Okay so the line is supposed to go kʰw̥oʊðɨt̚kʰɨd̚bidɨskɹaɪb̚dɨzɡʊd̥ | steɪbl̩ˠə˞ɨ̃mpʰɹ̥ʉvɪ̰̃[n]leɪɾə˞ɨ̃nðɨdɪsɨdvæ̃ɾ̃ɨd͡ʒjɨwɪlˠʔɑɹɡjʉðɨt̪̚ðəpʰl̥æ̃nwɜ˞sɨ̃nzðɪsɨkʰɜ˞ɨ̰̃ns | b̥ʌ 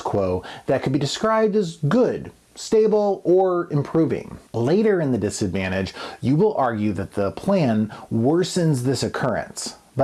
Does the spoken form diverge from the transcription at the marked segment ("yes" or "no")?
yes